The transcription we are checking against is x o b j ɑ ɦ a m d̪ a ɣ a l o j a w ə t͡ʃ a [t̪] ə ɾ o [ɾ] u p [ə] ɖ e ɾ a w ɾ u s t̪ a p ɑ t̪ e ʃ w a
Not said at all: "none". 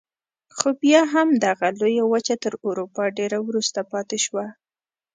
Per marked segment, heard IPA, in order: t̪, ɾ, ɑ

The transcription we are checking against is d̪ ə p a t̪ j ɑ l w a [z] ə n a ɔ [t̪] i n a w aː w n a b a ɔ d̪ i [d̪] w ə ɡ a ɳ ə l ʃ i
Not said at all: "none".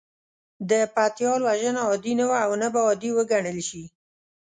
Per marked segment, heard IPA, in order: ʒ, d̪, none

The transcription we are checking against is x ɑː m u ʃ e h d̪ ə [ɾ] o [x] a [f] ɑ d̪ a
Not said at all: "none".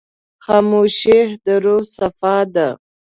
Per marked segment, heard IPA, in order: ɾ, s, f

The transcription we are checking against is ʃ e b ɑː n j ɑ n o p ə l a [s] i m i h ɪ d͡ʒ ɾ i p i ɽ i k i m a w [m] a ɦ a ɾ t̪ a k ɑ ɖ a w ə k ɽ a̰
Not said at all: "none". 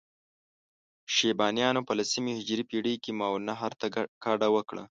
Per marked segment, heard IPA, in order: s, n

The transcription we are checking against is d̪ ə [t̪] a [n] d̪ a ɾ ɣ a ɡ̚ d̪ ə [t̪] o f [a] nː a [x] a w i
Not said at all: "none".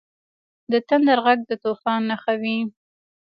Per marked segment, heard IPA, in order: t̪, n, t̪, ɑ, x

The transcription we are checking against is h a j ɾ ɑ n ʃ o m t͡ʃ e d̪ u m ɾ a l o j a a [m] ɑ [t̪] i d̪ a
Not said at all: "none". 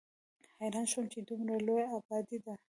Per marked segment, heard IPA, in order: b, d̪

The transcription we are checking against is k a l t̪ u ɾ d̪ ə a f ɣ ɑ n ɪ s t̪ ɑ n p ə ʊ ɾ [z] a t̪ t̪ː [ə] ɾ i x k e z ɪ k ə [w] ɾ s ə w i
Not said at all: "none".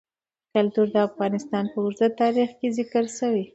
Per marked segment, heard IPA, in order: z, ɑ, none

